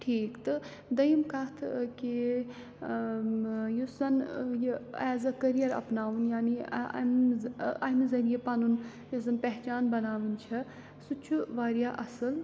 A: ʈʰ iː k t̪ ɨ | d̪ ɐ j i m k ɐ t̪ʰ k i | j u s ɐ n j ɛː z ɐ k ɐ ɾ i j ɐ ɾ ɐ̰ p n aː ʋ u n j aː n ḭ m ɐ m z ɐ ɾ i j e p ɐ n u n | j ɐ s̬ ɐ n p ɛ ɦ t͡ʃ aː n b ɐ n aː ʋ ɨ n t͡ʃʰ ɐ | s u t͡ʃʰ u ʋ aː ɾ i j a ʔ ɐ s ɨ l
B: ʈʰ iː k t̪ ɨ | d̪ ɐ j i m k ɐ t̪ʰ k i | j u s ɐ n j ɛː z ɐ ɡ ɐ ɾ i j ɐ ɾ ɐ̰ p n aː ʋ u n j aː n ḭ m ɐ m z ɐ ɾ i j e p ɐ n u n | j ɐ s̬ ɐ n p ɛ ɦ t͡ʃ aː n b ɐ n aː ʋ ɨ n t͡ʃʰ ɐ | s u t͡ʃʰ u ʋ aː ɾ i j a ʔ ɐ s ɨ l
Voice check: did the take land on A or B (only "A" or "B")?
A